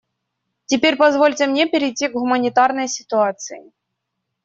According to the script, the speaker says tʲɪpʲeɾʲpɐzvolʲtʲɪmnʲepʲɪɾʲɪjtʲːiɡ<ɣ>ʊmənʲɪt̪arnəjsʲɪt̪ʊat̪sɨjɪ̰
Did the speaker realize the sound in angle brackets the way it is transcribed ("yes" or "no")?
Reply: yes